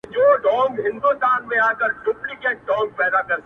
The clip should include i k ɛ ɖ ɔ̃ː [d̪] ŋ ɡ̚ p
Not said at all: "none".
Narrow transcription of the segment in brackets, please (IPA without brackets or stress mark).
none